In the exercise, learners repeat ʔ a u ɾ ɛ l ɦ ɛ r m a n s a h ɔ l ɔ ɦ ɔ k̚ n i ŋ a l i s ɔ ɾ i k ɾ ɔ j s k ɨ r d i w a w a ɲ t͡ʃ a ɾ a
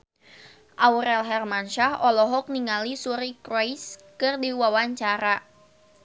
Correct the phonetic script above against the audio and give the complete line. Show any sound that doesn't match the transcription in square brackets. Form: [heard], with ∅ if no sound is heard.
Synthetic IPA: ʔ a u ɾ ɛ l ɦ ɛ r m a n [ʃ] a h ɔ l ɔ ɦ ɔ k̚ n i ŋ a l i s [u] ɾ i k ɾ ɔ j s k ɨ r d i w a w a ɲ t͡ʃ a ɾ a